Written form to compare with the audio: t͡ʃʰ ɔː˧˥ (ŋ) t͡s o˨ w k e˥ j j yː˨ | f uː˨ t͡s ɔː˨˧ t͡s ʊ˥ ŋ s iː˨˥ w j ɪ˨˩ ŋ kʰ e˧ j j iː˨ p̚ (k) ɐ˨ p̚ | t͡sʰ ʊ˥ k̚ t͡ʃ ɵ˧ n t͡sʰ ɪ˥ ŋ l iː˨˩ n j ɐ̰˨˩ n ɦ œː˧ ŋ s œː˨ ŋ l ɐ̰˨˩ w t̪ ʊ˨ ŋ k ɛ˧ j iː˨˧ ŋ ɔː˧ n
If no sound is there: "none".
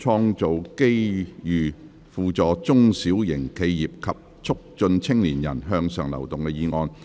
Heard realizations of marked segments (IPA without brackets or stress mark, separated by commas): ŋ, kʰ